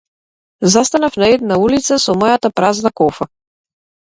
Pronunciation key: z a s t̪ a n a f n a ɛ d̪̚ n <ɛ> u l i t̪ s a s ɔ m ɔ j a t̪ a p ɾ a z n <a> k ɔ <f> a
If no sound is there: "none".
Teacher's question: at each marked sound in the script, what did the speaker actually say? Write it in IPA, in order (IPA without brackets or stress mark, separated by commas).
a, a, f